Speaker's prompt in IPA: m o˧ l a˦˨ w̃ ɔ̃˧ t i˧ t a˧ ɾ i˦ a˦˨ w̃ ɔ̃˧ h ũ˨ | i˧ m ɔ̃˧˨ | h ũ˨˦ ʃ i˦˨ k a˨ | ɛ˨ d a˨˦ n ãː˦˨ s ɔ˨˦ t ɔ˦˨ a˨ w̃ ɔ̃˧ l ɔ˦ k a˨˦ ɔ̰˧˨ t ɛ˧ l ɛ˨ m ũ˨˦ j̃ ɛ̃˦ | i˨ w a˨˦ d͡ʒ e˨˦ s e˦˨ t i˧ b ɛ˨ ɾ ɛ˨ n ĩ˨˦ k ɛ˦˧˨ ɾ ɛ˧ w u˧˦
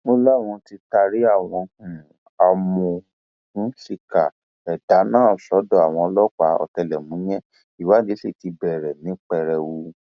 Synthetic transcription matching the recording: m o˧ l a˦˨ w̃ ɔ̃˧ t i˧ t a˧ ɾ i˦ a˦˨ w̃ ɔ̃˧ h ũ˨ | a˧ m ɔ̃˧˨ | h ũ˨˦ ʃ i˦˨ k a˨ | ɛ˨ d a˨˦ n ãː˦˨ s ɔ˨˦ d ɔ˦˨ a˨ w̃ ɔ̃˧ l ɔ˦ k͡p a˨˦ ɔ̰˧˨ t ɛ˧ l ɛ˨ m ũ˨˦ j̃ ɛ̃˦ | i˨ w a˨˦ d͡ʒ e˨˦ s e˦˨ t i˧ b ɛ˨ ɾ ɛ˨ n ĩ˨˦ k͡p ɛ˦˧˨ ɾ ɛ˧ w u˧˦